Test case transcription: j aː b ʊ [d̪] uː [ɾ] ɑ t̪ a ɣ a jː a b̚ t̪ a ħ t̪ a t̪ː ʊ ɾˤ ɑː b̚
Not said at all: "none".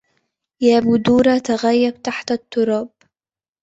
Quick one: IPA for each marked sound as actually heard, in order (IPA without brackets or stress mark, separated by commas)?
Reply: d̪, ɾ